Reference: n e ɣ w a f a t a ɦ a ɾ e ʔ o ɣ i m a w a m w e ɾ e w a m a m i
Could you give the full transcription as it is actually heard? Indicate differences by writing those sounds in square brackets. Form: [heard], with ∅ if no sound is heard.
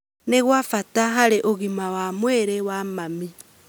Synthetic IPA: n e ɣ w a f a t a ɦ a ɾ e ʔ o ɣ i m a w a m w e ɾ e w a m a m i